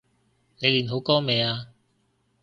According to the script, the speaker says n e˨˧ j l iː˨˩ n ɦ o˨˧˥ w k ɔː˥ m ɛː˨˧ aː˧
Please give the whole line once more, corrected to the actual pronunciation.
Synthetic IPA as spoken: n e˨˧ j l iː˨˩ n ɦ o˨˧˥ w k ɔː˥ m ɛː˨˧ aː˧